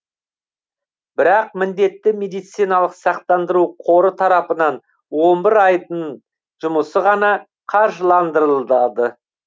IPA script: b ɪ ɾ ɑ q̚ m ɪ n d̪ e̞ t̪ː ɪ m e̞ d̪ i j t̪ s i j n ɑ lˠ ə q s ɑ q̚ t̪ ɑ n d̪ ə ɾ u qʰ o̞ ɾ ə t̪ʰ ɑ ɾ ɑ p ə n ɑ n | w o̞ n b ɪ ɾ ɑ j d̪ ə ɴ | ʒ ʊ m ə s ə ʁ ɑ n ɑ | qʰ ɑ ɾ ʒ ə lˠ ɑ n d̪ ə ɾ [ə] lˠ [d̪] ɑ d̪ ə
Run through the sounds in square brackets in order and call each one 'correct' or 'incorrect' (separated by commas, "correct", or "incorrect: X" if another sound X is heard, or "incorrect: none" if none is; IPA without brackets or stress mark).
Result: correct, correct